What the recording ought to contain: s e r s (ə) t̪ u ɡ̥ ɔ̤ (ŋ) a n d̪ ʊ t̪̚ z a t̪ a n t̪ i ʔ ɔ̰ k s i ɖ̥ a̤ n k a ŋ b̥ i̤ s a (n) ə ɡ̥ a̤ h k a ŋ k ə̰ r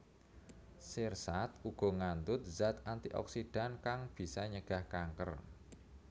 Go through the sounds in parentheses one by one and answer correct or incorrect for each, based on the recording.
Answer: incorrect: a, correct, incorrect: ɲ

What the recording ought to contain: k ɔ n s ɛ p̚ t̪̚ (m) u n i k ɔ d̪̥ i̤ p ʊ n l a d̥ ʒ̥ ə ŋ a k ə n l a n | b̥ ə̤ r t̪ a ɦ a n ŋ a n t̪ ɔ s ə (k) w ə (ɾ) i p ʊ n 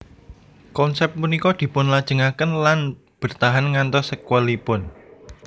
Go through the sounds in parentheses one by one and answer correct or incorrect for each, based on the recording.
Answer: correct, correct, incorrect: l

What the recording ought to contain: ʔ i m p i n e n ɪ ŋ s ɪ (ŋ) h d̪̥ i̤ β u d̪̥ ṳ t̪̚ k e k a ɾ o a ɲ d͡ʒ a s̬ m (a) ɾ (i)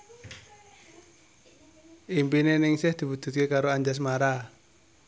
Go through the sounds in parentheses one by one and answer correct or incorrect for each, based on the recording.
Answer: incorrect: none, correct, incorrect: a

